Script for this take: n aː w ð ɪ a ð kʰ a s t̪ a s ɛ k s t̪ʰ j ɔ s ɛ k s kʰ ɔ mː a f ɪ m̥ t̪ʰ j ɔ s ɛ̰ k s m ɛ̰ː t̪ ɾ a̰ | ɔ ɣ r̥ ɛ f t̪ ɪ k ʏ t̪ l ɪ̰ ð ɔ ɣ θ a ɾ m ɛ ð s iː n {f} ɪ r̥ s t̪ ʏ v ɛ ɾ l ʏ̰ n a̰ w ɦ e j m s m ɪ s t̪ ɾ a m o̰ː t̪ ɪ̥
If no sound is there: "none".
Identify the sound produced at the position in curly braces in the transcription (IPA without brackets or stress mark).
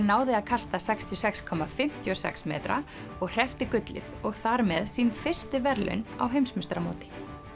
f